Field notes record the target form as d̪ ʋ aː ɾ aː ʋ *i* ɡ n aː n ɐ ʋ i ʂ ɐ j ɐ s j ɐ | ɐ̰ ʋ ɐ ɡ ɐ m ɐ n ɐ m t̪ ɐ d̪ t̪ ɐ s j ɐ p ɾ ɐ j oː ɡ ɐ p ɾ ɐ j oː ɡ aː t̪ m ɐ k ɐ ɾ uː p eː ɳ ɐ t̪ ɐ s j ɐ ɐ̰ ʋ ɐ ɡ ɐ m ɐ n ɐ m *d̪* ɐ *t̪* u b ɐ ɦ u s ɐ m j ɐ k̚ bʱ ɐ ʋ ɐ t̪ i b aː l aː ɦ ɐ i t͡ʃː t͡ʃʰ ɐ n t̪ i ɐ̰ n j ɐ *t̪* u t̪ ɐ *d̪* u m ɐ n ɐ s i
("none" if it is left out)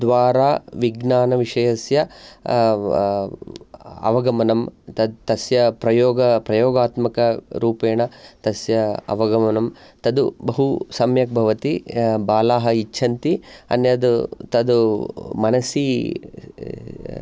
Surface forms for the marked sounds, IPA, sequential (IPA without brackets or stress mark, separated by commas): i, t̪, d̪, d̪, d̪